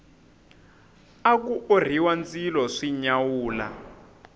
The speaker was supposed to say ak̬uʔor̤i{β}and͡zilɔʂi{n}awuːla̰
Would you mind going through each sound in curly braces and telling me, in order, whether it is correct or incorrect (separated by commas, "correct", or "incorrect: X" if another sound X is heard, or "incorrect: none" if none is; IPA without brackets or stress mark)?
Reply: incorrect: w, incorrect: ɲ